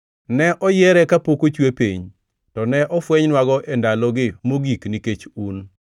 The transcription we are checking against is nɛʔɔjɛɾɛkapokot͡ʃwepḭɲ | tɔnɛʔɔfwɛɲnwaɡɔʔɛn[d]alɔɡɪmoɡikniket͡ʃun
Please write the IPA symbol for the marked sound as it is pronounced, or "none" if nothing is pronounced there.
d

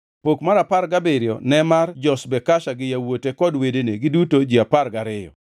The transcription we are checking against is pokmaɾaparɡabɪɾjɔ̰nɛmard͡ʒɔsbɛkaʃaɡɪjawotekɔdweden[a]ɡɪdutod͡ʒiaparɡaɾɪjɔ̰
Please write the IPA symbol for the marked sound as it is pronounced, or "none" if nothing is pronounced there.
e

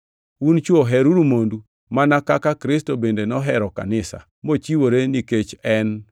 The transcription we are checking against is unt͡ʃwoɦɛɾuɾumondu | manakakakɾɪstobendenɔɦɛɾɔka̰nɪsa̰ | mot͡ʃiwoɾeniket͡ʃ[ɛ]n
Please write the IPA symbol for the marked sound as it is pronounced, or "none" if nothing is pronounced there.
ɛ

